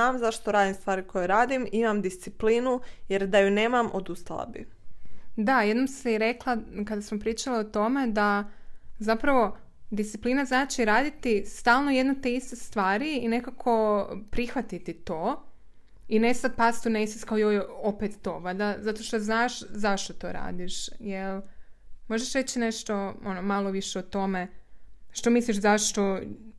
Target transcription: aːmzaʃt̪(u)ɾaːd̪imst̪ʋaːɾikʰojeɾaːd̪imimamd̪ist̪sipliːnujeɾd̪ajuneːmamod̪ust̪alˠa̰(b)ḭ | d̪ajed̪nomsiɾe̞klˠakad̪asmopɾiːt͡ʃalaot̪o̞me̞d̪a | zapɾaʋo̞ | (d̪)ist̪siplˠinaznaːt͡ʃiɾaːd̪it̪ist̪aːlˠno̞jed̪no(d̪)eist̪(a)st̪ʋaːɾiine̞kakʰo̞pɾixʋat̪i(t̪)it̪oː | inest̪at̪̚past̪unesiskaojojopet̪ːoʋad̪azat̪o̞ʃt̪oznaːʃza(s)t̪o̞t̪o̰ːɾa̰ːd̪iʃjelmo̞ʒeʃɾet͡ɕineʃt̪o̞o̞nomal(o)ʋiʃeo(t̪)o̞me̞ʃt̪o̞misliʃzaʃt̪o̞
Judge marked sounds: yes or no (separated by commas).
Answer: no, yes, yes, no, no, yes, no, yes, yes